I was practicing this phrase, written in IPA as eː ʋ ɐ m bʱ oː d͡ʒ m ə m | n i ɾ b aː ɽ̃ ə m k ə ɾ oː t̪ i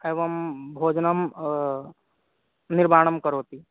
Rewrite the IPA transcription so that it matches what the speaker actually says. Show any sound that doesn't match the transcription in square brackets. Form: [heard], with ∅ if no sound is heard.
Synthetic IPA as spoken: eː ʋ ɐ m bʱ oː d͡ʒ [n] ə m | n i ɾ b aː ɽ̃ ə m k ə ɾ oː t̪ i

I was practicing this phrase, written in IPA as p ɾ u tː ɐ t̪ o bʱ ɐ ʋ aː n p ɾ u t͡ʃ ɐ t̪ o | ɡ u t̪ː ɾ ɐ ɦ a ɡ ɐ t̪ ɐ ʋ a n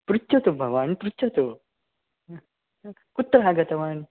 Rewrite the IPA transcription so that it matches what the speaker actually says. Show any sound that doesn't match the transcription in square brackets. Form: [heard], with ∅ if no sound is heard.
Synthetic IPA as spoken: p ɾ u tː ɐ t̪ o bʱ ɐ ʋ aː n p ɾ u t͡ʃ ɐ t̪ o | [k] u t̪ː ɾ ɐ ɦ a ɡ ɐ t̪ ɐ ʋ a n

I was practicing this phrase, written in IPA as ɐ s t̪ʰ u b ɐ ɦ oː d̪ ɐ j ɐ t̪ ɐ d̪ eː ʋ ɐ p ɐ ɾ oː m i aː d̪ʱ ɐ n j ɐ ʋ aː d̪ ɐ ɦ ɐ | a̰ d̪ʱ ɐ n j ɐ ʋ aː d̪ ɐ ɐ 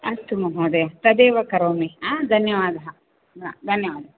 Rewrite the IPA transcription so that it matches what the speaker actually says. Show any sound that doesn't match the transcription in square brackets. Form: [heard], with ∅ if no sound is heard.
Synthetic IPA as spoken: ɐ s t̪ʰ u [m] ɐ ɦ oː d̪ ɐ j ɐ t̪ ɐ d̪ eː ʋ ɐ [k] ɐ ɾ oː m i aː d̪ʱ ɐ n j ɐ ʋ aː d̪ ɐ ɦ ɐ | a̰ d̪ʱ ɐ n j ɐ ʋ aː d̪ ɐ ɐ

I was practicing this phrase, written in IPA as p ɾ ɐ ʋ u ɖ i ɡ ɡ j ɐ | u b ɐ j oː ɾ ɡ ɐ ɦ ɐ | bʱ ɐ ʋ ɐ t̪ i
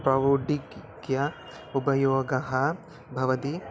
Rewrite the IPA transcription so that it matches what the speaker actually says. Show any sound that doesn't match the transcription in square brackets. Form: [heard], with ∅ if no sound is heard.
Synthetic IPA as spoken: p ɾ ɐ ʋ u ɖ i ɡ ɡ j ɐ | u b ɐ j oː [∅] ɡ ɐ ɦ ɐ | bʱ ɐ ʋ ɐ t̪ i

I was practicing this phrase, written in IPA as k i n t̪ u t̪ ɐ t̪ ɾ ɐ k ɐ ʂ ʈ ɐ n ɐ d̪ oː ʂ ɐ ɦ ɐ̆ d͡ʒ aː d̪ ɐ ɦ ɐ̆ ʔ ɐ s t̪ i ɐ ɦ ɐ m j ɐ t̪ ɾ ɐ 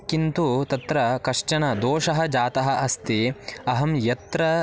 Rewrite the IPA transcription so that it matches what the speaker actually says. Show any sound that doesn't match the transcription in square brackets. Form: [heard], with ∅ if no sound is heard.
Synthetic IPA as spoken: k i n t̪ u t̪ ɐ t̪ ɾ ɐ k ɐ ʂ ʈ ɐ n ɐ d̪ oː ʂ ɐ ɦ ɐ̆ d͡ʒ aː [t̪] ɐ ɦ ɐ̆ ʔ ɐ s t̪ i ɐ ɦ ɐ m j ɐ t̪ ɾ ɐ

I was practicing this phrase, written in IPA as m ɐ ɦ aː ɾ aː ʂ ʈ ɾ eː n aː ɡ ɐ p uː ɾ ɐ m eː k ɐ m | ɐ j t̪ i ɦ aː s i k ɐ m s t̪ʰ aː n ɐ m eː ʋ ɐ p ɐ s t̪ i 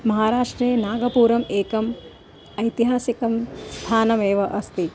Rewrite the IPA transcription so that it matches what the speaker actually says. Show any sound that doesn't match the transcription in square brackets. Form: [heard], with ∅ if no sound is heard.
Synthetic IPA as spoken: m ɐ ɦ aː ɾ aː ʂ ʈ ɾ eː n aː ɡ ɐ p uː ɾ ɐ m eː k ɐ m | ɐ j t̪ i ɦ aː s i k ɐ m s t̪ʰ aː n ɐ m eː ʋ ɐ [ʔ] ɐ s t̪ i

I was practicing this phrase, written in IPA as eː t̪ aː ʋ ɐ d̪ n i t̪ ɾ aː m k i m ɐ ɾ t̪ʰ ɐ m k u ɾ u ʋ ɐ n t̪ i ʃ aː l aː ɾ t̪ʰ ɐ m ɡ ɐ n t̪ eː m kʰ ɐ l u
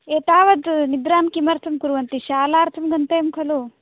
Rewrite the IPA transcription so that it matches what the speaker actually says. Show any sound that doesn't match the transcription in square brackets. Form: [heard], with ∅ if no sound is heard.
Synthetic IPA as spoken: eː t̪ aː ʋ ɐ d̪ n i [d̪] ɾ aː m k i m ɐ ɾ t̪ʰ ɐ m k u ɾ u ʋ ɐ n t̪ i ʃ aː l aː ɾ t̪ʰ ɐ m ɡ ɐ n t̪ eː m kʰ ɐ l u

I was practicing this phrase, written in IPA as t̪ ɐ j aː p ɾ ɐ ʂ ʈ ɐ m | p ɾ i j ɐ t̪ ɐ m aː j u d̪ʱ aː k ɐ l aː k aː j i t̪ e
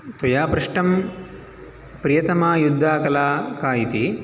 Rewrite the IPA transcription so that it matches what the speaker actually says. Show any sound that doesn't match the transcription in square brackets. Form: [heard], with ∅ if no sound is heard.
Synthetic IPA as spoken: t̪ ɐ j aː p ɾ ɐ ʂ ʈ ɐ m | p ɾ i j ɐ t̪ ɐ m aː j u [d̪ʱː] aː k ɐ l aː k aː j i t̪ [i]

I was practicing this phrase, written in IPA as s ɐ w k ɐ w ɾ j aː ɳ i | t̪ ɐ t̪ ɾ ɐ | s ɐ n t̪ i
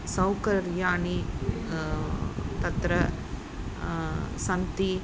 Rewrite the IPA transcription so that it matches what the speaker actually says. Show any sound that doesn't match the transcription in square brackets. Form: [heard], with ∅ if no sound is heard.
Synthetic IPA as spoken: s ɐ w k ɐ [∅] ɾ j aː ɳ i | t̪ ɐ t̪ ɾ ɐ | s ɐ n t̪ i

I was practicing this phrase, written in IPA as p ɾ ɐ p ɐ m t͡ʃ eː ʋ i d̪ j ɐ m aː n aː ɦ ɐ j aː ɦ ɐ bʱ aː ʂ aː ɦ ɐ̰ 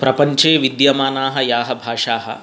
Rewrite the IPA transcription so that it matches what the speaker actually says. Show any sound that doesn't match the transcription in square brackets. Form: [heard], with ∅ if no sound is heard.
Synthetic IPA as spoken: p ɾ ɐ p ɐ [ɲ] t͡ʃ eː ʋ i d̪ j ɐ m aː n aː ɦ ɐ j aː ɦ ɐ bʱ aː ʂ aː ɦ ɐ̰

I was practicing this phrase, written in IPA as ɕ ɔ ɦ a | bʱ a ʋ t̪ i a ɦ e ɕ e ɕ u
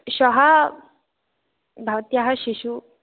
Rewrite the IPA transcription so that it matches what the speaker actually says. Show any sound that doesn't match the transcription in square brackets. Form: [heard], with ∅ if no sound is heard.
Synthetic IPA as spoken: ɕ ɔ ɦ a | bʱ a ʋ t̪ [j] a ɦ [a] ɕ [i] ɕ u

